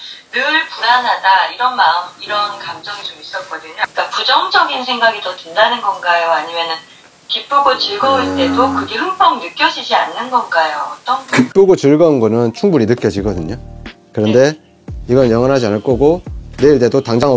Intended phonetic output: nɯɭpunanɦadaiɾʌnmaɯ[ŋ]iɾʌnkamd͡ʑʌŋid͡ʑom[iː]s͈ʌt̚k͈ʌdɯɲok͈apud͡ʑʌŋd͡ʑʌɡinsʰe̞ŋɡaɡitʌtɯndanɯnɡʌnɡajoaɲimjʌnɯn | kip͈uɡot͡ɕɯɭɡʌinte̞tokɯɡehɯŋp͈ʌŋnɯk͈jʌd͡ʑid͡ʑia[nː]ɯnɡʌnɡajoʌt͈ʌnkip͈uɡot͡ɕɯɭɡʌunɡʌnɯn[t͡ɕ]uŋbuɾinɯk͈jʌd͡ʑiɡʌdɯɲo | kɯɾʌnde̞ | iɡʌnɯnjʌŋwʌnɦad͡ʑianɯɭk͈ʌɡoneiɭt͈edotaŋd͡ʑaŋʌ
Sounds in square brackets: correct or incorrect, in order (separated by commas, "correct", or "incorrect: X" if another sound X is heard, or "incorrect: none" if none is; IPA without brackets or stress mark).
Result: incorrect: m, incorrect: i, correct, incorrect: t͡ɕʰ